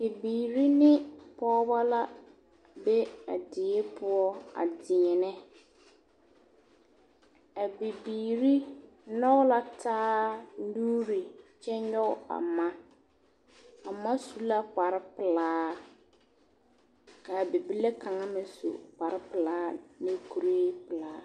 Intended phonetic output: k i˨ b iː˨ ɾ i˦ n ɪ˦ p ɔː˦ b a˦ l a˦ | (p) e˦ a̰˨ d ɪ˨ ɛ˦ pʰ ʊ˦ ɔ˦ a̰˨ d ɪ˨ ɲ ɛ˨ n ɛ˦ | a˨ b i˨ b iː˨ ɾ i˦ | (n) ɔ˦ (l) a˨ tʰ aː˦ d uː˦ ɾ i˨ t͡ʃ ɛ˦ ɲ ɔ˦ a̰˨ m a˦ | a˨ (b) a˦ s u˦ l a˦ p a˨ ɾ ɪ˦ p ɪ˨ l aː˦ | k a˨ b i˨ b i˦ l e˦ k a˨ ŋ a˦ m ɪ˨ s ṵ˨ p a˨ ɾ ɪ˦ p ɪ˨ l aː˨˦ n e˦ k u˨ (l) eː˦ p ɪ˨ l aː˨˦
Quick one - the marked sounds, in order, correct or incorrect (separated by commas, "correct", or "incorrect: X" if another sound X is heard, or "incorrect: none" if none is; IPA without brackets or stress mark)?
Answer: incorrect: b, correct, correct, incorrect: m, incorrect: ɾ